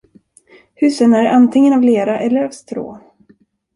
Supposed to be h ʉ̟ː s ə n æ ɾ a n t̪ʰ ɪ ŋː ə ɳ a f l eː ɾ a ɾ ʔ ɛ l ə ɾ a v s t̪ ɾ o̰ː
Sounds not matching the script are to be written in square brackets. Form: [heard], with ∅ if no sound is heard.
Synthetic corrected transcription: h ʉ̟ː s ə n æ ɾ a n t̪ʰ ɪ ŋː ə [n] a [v] l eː ɾ a [∅] ʔ ɛ [lː] ə ɾ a v s t̪ ɾ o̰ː